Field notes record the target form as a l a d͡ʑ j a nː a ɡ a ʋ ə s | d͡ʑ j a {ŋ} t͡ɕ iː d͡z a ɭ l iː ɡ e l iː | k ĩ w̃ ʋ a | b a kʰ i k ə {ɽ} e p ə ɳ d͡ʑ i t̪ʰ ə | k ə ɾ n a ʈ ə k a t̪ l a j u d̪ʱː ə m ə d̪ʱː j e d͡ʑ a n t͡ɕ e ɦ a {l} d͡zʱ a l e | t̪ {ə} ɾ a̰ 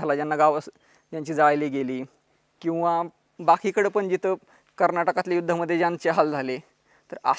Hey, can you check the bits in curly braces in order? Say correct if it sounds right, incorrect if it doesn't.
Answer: incorrect: ɲ, correct, correct, correct

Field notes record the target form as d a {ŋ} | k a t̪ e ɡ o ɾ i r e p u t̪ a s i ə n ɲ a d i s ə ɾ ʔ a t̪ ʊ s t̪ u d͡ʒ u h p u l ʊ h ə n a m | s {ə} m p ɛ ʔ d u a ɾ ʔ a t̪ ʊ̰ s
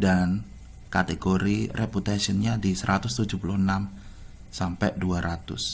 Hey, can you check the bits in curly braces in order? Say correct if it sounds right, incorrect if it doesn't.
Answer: incorrect: n, incorrect: a

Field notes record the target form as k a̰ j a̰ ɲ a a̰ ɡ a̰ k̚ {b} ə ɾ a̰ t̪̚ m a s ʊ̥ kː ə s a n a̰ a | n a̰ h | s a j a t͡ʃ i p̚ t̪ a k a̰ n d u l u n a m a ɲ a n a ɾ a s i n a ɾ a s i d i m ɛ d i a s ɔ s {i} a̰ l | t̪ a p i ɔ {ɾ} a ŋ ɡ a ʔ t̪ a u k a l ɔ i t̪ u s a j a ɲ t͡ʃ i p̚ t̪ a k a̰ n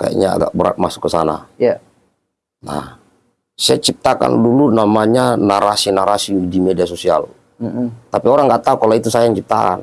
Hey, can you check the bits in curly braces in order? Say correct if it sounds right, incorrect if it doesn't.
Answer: correct, correct, correct

